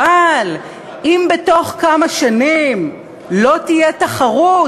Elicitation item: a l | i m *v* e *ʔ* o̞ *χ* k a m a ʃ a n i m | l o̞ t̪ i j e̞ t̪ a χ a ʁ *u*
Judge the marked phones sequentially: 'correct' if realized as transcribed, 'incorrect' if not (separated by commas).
incorrect, incorrect, correct, correct